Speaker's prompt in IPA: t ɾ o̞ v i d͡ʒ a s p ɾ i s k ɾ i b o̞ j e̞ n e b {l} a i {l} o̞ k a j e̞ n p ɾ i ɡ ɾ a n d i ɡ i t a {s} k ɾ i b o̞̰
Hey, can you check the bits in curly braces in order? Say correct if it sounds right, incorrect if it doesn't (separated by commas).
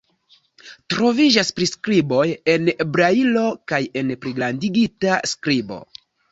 incorrect, correct, correct